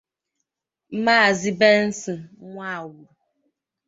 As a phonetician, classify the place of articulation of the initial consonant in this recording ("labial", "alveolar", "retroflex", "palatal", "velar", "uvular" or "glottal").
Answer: labial